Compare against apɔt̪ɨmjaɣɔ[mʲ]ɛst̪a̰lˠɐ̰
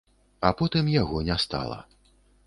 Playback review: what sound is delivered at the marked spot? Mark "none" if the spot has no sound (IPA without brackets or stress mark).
nʲ